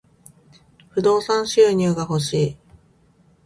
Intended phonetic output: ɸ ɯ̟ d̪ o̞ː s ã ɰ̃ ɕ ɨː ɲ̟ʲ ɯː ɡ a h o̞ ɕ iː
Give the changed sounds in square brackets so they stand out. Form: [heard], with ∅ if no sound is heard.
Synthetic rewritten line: ɸ ɯ̟ d̪ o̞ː s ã ɰ̃ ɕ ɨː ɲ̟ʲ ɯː ɡ a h o̞ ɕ iː

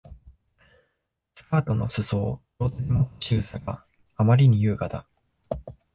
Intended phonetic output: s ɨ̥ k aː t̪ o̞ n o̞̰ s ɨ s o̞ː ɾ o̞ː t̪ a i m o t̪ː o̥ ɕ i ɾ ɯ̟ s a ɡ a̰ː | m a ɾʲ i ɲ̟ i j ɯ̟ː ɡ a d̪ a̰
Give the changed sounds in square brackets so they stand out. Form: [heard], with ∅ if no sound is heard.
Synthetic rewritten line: s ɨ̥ k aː t̪ o̞ n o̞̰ s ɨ s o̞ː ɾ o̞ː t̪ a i m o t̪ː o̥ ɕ i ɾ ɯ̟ s a ɡ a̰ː | m a ɾʲ i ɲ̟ i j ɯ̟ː ɡ a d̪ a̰

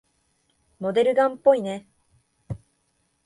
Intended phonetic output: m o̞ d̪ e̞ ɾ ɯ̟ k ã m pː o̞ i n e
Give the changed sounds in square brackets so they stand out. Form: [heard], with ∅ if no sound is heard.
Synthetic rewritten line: m o̞ d̪ e̞ ɾ ɯ̟ [ɡ] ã m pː o̞ i n e

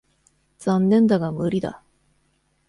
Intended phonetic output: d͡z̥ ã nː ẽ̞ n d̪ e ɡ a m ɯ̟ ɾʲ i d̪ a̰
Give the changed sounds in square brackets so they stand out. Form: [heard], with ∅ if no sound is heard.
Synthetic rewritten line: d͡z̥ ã nː ẽ̞ n d̪ [a] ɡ a m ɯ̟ ɾʲ i d̪ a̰

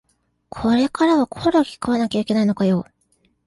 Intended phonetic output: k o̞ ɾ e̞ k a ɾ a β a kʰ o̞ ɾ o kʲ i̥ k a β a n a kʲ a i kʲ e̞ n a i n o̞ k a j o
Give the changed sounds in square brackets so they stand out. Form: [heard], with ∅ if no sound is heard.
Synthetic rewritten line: [kʰ] o̞ ɾ e̞ k a ɾ a β a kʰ o̞ ɾ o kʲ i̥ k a β a n a kʲ a i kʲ e̞ n a i n o̞ k a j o

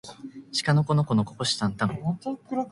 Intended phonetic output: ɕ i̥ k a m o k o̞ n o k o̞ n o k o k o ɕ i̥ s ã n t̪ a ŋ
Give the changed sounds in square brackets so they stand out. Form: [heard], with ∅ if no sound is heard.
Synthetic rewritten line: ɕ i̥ k a [n] o k o̞ n o k o̞ n o k o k o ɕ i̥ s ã n t̪ a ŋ

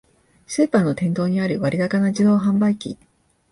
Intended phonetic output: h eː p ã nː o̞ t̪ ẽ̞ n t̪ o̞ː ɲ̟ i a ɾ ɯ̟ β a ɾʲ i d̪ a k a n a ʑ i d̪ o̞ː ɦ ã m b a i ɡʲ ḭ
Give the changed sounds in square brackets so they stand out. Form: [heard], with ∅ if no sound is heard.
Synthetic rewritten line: [s] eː p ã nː o̞ t̪ ẽ̞ n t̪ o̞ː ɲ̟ i a ɾ ɯ̟ β a ɾʲ i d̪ a k a n a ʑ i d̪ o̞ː ɦ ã m b a i [kʲ] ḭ

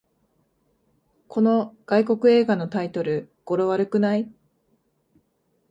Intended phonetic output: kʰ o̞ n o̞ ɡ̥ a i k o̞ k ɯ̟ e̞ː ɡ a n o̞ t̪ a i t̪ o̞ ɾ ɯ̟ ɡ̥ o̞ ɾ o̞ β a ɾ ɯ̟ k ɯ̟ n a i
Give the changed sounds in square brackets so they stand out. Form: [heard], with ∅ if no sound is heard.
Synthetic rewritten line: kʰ o̞ n o̞ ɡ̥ a i k o̞ k ɯ̟ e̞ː ɡ a n o̞ t̪ a i t̪ o̞ ɾ ɯ̟ ɡ̥ o̞ ɾ o̞ β a ɾ ɯ̟ k ɯ̟ n a i

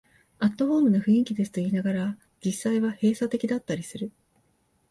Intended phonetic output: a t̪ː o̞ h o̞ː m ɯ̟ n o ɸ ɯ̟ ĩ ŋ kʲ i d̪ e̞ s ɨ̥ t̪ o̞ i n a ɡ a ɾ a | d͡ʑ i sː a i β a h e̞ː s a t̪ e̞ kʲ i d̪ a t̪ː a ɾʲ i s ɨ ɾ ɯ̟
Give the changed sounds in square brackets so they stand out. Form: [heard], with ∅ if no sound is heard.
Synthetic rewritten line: a t̪ː o̞ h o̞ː m ɯ̟ n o ɸ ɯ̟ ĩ ŋ kʲ i d̪ e̞ s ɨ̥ t̪ o̞ [iː] n a ɡ a ɾ a | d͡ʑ i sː a i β a h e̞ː s a t̪ e̞ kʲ i d̪ a t̪ː a ɾʲ i s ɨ ɾ ɯ̟

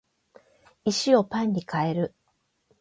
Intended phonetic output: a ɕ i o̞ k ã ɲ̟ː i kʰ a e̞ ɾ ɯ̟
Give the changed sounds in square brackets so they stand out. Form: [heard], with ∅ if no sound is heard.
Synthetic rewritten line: [i] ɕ i o̞ [p] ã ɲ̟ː i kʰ a e̞ ɾ ɯ̟

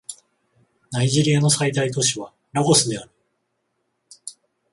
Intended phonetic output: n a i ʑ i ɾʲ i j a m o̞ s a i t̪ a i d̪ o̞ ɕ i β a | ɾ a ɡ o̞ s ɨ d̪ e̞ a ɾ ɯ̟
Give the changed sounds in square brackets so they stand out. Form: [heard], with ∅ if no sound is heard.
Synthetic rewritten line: n a i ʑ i ɾʲ i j a [n] o̞ s a i t̪ a i [t̪] o̞ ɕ i β a | ɾ a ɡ o̞ s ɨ d̪ e̞ a ɾ ɯ̟

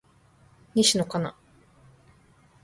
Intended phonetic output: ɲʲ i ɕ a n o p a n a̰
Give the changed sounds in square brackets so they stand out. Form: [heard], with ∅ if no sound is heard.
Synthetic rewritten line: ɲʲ i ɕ [i] n o [k] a n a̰

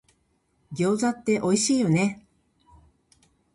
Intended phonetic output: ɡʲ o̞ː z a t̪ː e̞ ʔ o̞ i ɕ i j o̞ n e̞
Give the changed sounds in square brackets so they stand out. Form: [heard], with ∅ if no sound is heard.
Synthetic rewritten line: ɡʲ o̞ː z a t̪ː e̞ ʔ o̞ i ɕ [iː] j o̞ n e̞

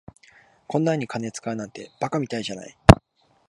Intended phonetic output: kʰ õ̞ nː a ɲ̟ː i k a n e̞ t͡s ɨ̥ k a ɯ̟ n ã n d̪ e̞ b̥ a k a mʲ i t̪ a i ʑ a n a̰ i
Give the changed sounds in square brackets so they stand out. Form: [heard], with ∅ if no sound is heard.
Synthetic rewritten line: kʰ õ̞ nː a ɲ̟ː i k a n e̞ t͡s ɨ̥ k a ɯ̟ n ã n [t̪] e̞ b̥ a k a mʲ i t̪ a i ʑ a n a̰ i

